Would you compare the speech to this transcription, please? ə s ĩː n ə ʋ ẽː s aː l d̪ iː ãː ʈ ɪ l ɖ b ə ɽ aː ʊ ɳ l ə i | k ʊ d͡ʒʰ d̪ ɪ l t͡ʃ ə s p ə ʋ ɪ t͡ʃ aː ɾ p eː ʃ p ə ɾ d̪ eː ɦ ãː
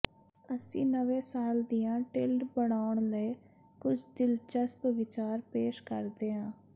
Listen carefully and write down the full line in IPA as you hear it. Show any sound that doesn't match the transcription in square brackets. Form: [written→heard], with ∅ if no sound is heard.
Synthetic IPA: ə s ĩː n ə ʋ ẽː s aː l d̪ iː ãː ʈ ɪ l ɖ b ə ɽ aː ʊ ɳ l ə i | k ʊ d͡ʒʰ d̪ ɪ l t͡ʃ ə s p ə ʋ ɪ t͡ʃ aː ɾ p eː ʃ [p→k] ə ɾ d̪ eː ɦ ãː